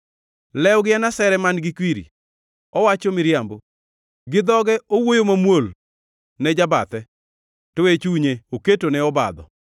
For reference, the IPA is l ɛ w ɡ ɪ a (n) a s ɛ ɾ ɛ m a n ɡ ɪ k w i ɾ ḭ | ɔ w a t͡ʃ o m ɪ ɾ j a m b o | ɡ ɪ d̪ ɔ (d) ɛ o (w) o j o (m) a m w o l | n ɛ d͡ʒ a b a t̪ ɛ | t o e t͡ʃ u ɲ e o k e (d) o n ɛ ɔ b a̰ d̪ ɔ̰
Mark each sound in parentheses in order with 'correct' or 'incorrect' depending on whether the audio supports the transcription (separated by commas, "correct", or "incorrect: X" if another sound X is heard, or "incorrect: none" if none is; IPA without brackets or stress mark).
correct, incorrect: ɡ, correct, correct, incorrect: t